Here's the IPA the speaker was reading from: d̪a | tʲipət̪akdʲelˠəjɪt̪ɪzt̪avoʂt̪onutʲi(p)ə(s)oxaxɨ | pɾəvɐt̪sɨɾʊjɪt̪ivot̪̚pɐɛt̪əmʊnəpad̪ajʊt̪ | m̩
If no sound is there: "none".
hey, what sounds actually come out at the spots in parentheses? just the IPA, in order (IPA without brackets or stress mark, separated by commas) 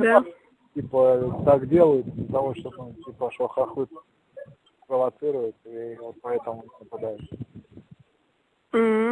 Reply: p, ʂ